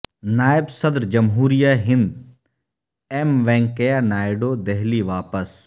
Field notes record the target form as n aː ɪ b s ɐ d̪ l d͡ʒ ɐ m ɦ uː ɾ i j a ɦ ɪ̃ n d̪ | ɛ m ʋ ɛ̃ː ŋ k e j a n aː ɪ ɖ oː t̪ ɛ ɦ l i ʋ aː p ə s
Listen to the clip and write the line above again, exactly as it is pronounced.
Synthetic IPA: n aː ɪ b s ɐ d̪ ɾ d͡ʒ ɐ m ɦ uː ɾ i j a ɦ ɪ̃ n d̪ | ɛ m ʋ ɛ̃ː ŋ k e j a n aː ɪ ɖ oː d̪ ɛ ɦ l i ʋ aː p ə s